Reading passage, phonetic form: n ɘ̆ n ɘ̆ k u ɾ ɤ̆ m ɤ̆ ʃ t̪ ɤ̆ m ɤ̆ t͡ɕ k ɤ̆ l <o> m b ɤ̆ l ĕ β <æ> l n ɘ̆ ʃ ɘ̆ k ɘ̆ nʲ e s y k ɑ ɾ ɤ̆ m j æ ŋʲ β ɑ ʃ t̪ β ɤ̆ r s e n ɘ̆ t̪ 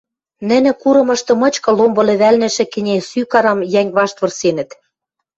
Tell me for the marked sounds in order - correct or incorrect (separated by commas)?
correct, correct